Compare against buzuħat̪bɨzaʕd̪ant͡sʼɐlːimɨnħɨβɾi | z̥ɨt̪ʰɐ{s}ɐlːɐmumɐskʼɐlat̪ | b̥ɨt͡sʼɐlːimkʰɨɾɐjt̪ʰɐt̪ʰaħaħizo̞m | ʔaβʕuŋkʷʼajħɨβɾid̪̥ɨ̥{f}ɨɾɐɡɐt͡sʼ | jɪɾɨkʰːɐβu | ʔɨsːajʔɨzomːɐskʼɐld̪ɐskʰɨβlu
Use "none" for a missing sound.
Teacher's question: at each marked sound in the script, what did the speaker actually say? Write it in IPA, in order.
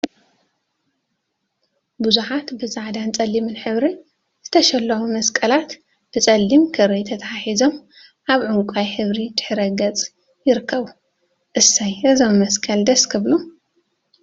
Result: ʃ, ħ

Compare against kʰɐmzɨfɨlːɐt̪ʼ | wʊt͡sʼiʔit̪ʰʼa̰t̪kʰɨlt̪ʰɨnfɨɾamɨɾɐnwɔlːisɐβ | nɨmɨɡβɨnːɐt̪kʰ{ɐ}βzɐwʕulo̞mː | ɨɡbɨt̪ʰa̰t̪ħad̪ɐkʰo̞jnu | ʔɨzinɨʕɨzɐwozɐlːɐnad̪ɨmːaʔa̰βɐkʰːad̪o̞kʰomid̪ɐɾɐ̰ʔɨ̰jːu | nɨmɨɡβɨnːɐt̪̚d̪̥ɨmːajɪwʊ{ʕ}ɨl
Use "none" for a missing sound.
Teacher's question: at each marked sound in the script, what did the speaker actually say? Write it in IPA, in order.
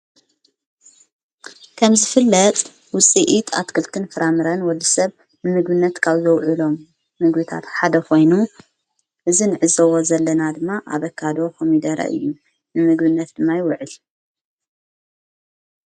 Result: a, ʕ

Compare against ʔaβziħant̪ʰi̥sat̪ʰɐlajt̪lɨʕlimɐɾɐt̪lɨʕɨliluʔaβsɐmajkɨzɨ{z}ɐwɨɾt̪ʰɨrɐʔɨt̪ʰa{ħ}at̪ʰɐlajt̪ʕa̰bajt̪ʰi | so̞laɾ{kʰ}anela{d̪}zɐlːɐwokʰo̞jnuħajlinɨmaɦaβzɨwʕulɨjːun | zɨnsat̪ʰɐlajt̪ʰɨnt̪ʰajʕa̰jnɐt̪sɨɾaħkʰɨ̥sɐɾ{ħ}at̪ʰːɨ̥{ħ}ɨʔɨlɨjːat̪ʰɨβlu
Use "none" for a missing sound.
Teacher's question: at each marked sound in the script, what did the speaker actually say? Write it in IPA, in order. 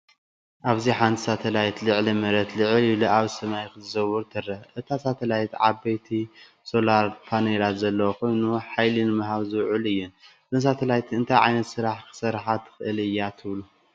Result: z, s, pʰ, t̪, ħ, x

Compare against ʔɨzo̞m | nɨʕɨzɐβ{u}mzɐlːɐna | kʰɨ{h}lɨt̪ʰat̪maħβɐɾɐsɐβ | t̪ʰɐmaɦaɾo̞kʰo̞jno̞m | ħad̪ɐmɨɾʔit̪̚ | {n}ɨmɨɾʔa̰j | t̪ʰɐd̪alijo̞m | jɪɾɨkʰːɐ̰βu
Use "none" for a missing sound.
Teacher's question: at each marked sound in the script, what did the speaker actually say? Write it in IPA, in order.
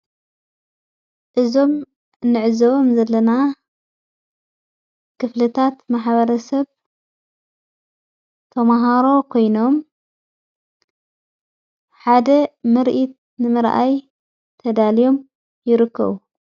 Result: o, f, n

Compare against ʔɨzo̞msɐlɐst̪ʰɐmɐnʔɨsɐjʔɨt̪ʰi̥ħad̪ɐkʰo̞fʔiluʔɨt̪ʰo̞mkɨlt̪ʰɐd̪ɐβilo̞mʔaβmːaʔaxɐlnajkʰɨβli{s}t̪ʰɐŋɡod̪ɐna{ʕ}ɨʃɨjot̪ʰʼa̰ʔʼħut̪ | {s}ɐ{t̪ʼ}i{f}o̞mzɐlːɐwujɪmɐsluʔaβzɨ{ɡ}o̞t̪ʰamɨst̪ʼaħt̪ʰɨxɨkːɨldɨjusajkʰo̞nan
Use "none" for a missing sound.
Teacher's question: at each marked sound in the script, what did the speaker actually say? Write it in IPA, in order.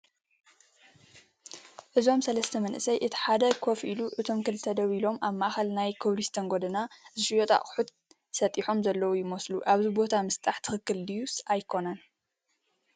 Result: s, z, s, t̪ʼ, ħ, b

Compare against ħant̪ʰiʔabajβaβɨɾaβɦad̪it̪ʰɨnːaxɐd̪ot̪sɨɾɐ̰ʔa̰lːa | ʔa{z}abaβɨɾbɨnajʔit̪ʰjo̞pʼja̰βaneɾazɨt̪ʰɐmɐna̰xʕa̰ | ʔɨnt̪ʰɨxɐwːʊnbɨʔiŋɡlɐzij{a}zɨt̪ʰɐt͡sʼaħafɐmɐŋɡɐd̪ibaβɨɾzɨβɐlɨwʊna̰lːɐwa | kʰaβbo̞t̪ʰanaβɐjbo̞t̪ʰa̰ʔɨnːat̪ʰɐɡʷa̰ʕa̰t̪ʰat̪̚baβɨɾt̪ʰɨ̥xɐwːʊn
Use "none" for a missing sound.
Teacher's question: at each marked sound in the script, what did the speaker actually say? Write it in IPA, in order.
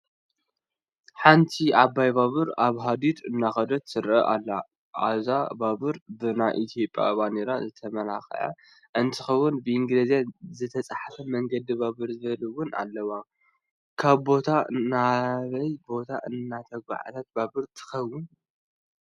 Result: z, a

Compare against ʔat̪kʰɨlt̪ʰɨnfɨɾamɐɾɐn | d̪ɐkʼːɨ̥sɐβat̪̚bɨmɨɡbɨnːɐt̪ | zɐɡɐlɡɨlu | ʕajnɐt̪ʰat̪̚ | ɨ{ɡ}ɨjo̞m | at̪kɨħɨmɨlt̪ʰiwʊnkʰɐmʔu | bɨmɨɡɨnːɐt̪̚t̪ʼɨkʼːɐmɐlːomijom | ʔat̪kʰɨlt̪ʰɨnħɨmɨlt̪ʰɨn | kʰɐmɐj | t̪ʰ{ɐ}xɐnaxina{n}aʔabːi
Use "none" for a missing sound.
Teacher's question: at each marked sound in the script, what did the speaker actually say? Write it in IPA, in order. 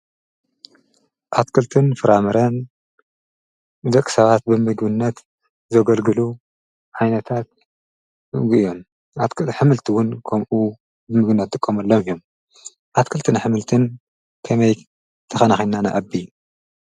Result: ɡ, ɐ, n

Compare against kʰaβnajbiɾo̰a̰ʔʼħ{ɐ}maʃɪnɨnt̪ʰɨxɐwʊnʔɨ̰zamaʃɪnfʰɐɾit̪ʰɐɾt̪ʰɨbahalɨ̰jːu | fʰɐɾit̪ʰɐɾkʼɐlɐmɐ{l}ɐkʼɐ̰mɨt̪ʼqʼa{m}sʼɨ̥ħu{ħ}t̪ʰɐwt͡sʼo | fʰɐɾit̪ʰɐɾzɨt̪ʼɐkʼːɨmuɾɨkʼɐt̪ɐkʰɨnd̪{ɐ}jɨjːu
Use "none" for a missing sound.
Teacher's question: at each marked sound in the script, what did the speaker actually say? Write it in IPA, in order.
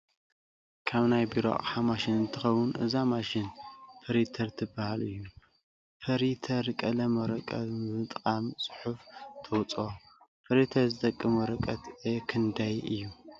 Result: a, ɾ, m, f, a

